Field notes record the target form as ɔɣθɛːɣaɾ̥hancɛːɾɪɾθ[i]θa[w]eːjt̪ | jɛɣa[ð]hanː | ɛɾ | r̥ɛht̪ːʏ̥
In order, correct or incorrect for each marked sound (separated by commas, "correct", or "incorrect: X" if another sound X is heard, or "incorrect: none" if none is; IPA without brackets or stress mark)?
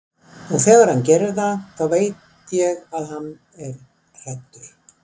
incorrect: a, incorrect: v, correct